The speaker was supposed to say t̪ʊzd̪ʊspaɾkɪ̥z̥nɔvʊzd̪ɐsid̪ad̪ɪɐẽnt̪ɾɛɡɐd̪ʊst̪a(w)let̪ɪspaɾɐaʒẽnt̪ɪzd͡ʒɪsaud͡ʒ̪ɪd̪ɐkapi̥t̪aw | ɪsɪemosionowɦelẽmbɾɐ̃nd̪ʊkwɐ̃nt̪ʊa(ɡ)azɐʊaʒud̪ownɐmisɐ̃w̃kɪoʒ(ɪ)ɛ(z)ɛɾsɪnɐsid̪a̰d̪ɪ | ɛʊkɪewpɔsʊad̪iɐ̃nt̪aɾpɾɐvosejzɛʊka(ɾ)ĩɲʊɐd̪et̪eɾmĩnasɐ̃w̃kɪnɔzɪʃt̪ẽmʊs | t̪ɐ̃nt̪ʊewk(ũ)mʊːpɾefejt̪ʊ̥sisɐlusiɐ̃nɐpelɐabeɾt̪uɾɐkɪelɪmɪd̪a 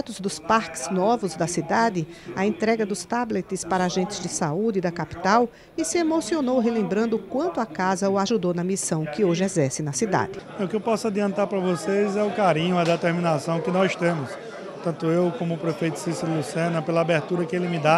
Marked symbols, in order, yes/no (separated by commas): no, no, yes, yes, yes, no